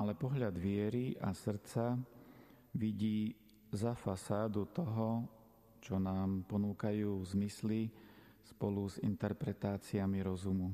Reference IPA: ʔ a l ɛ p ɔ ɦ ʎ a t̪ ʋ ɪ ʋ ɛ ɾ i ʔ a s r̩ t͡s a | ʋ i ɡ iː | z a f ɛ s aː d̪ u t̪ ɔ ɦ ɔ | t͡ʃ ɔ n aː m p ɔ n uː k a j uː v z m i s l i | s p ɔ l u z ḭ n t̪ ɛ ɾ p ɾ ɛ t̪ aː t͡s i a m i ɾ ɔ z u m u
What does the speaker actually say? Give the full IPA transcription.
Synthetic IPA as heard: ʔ a l ɛ p ɔ ɦ ʎ a d̪ ʋ ɪ ɛ ɾ i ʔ a s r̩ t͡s a | ʋ i ɟ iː | z a f a s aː d̪ u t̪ ɔ ɦ ɔ | t͡ʃ ɔ n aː m p ɔ n uː k a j uː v z m i s l i | s p ɔ l u z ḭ n t̪ ɛ ɾ p ɾ ɛ t̪ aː t͡s i a m i ɾ ɔ z u m u